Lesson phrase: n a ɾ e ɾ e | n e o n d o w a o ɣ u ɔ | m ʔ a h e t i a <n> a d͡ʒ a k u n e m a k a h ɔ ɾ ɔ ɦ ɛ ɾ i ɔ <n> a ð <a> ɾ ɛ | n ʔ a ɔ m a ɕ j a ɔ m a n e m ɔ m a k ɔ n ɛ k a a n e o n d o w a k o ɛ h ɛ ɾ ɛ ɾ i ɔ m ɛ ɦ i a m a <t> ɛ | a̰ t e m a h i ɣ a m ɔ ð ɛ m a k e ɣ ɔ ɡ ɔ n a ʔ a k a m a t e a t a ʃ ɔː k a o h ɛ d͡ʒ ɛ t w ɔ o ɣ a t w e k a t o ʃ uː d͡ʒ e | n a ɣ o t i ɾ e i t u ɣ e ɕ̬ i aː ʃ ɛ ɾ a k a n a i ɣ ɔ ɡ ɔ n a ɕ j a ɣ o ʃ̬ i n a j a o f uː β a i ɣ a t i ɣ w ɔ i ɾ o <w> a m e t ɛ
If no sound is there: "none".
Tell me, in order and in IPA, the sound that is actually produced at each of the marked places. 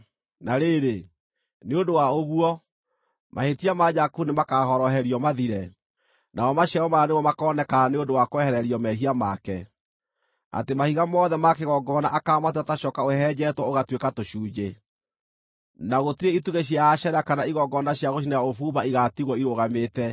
m, m, i, k, ɣ

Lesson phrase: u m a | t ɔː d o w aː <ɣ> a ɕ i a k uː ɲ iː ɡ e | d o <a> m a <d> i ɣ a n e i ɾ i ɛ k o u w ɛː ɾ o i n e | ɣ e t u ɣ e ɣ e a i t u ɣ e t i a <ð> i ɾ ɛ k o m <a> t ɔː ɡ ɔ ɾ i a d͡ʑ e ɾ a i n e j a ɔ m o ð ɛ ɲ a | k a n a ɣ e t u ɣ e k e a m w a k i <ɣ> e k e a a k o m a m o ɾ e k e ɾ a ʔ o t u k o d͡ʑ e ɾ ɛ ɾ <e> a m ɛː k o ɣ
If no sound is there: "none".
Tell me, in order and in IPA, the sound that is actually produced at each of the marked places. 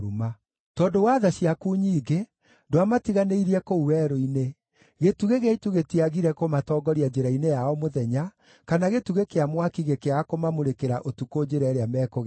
ð, a, t, ɣ, a, ɣ, e

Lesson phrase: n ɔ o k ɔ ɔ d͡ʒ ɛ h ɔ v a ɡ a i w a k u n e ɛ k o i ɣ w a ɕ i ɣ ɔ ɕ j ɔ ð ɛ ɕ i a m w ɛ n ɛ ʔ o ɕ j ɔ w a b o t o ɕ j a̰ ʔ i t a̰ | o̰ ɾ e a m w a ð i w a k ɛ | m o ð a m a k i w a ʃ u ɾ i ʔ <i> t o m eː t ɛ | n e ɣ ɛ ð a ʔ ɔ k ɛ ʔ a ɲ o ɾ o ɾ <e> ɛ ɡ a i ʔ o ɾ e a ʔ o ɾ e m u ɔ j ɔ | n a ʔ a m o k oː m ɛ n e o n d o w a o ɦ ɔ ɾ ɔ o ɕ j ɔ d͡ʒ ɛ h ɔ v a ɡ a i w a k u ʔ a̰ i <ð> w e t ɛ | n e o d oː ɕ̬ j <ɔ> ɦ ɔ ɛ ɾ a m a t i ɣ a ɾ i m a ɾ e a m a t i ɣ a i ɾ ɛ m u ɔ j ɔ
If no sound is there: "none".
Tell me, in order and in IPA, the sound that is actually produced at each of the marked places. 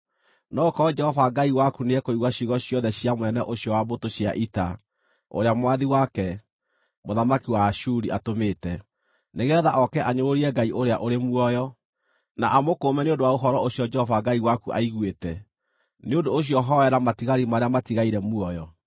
a, i, ɣ, ɔ

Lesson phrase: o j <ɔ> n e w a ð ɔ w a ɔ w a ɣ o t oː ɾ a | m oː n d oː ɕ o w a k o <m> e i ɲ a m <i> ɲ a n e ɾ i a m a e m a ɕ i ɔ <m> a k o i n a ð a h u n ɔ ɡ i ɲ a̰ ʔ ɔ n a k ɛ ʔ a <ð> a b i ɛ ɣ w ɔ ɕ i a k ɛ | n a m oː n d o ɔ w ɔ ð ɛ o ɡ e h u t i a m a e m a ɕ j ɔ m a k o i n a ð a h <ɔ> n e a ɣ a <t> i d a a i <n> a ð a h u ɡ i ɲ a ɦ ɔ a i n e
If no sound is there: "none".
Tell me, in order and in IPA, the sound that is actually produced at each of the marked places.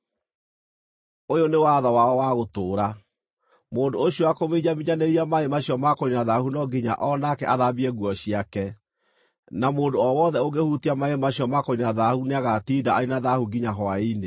o, m, i, m, ð, u, t, n

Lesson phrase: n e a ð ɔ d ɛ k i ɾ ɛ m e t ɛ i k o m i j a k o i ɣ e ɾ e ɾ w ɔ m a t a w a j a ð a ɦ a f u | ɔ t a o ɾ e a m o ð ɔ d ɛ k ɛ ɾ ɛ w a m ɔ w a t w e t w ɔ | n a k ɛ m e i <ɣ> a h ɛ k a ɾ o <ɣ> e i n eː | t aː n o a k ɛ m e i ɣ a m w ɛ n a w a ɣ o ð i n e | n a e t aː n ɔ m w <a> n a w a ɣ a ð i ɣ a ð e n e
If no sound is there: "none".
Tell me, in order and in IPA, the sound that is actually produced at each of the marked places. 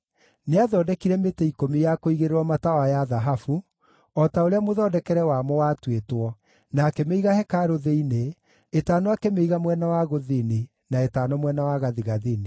ɣ, ð, ɛ

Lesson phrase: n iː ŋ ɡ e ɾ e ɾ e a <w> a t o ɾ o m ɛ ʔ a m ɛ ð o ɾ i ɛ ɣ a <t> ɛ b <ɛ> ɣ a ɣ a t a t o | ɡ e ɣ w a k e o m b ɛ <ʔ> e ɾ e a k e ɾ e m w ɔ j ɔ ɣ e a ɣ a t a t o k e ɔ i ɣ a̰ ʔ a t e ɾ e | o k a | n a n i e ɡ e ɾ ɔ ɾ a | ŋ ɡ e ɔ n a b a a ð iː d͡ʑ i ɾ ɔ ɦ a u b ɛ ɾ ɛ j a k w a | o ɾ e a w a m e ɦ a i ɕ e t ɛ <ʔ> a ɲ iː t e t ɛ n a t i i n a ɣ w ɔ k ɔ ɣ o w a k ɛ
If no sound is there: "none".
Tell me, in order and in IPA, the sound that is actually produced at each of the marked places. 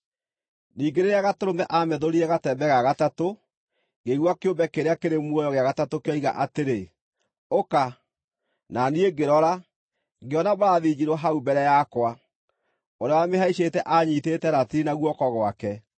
ɣ, t, ɛ, k, ʔ

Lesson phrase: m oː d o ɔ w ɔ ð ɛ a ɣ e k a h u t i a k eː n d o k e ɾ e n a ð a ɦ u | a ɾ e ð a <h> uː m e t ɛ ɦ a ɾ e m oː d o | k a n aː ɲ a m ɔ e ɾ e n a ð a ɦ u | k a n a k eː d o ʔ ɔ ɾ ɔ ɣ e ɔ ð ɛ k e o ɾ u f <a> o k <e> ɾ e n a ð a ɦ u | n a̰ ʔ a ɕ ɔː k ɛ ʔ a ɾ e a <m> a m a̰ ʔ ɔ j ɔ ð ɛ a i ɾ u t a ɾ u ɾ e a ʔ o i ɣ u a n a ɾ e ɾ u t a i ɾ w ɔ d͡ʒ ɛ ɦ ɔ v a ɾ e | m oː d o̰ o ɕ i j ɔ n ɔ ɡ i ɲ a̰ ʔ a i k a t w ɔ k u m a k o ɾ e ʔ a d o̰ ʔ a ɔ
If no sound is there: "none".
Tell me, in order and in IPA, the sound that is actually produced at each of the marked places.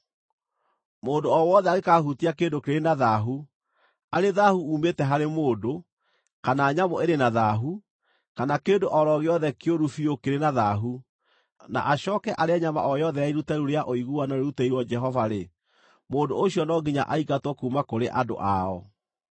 h, i, e, ɲ

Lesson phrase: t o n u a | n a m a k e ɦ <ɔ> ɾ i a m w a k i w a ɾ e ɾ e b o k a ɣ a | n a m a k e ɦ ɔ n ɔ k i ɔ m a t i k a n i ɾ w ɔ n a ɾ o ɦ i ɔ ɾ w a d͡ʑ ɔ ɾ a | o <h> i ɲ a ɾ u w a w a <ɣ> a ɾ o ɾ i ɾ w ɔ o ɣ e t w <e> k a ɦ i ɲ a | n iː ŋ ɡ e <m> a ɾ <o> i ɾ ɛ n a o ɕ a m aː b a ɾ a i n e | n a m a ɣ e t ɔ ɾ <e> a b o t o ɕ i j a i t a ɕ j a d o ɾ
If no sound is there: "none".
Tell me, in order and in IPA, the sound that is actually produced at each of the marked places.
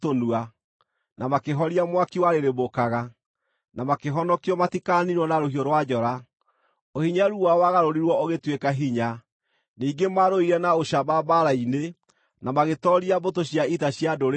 ɔ, h, ɣ, e, m, o, i

